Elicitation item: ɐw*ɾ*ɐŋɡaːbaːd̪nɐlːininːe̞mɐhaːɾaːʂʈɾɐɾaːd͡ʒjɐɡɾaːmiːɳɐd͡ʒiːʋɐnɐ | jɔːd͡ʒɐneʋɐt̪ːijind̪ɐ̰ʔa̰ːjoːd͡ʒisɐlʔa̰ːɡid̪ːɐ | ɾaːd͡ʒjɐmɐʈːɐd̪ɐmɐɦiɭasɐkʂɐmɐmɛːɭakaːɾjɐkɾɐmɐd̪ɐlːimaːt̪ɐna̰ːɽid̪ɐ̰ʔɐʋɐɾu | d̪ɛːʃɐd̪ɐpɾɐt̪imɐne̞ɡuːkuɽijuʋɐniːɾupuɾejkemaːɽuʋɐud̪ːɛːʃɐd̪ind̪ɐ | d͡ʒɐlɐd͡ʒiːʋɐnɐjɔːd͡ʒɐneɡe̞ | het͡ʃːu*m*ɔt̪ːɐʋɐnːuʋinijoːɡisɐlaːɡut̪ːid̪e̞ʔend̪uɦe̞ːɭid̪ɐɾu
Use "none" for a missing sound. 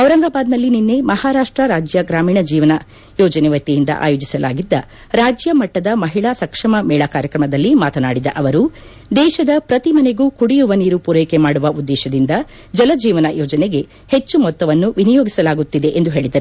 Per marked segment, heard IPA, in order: ɾ, m

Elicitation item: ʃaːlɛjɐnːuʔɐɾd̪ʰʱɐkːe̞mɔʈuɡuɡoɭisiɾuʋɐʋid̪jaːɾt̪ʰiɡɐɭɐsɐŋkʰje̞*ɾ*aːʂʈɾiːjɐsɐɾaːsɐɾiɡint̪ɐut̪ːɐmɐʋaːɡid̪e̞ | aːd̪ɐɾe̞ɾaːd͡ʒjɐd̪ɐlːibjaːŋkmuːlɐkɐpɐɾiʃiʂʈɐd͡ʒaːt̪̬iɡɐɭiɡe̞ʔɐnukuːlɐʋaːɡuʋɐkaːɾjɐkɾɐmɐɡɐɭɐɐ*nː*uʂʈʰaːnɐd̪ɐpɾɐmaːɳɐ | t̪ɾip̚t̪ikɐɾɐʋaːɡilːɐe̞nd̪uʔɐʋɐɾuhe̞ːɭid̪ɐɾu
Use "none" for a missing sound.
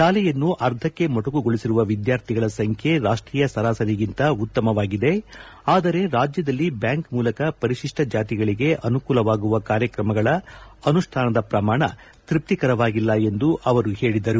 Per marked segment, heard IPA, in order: ɾ, n

